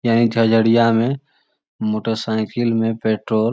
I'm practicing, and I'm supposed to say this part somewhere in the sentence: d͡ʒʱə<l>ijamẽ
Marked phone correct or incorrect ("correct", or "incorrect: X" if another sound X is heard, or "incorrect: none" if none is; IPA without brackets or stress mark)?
incorrect: ɽ